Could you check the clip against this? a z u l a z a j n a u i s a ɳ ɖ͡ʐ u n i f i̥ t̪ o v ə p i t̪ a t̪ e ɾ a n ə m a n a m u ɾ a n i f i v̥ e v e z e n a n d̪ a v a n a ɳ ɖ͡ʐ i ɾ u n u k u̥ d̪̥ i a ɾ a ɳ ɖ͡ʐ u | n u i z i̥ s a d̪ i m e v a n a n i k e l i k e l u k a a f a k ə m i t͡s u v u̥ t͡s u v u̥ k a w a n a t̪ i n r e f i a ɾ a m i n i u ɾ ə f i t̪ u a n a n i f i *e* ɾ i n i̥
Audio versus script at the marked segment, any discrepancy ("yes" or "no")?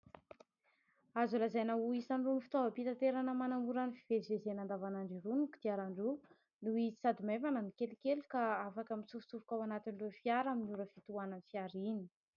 yes